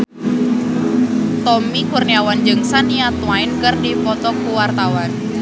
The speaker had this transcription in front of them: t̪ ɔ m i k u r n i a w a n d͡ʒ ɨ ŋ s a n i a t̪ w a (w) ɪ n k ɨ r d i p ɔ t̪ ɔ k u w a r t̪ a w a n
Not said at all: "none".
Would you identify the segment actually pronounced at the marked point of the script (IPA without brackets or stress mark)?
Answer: none